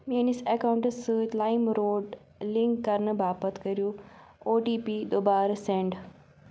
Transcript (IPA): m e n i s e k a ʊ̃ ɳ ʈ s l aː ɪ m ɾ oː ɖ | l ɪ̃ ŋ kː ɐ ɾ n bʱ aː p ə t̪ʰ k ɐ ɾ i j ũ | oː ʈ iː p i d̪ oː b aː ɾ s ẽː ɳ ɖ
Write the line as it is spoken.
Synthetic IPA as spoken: m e n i s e k a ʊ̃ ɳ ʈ s l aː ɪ m ɾ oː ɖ | l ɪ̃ ŋ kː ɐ ɾ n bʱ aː p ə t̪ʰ k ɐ ɾ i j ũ | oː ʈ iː p i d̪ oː b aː ɾ s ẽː ɳ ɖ